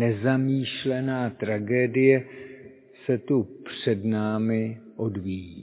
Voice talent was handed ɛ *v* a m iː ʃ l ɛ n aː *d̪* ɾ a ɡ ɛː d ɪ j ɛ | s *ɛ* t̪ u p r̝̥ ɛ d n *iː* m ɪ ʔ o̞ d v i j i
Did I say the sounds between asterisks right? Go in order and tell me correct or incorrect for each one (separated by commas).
incorrect, incorrect, correct, incorrect